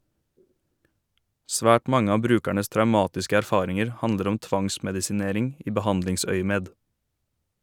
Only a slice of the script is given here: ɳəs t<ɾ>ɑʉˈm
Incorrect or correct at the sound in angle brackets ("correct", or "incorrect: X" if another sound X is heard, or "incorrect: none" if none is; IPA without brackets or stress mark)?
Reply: correct